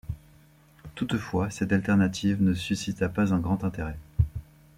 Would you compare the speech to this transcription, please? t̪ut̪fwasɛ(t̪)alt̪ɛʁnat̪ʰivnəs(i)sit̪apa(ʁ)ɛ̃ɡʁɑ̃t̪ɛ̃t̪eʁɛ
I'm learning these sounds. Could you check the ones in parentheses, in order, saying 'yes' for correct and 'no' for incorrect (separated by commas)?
yes, no, no